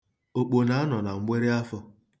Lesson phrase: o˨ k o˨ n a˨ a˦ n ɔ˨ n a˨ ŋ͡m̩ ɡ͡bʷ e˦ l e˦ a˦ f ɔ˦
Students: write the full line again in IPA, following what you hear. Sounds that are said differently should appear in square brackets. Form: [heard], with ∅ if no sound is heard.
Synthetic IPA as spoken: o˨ [k͡p] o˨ n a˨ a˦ n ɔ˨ n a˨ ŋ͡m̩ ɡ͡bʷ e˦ [ɾ] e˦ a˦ f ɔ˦